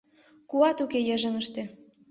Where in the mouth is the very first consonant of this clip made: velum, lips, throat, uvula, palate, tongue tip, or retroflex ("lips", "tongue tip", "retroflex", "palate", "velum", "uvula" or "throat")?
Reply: velum